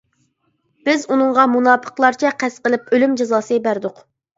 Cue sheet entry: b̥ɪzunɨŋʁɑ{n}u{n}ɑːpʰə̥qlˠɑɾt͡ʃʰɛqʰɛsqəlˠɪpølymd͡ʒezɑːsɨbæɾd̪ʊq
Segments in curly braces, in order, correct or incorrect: incorrect: m, correct

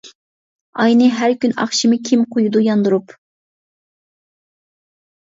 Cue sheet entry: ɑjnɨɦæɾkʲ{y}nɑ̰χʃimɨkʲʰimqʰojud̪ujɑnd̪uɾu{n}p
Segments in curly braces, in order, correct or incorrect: correct, incorrect: none

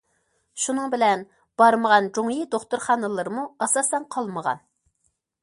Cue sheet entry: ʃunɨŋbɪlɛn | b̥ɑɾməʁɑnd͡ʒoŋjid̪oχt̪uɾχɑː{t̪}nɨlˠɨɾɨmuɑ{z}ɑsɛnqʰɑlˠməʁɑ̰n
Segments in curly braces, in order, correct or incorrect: incorrect: none, incorrect: s

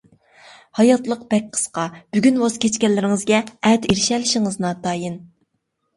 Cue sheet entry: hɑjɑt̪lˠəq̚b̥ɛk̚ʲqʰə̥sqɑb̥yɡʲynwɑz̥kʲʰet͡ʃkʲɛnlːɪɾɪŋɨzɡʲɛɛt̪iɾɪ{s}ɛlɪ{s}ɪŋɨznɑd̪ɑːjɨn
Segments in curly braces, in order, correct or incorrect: incorrect: ʃ, incorrect: ʃ

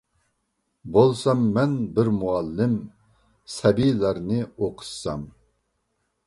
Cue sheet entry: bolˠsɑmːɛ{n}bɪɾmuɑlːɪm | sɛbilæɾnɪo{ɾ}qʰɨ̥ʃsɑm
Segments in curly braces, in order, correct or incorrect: correct, incorrect: none

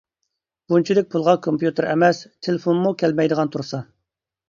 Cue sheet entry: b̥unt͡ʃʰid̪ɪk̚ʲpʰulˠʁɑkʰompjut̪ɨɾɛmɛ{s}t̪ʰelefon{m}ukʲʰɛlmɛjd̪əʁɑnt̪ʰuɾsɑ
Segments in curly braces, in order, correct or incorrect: correct, correct

